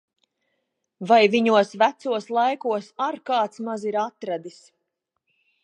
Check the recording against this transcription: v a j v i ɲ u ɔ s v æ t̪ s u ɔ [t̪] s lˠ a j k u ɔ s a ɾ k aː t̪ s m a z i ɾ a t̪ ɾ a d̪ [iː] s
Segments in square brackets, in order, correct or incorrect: incorrect: none, incorrect: i

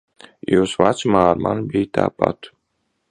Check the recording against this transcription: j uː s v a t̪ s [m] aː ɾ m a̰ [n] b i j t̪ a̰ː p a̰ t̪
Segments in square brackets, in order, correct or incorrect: correct, correct

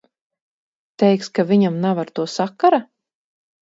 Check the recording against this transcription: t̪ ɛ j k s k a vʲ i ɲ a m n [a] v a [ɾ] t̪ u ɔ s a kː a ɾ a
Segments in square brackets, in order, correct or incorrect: correct, correct

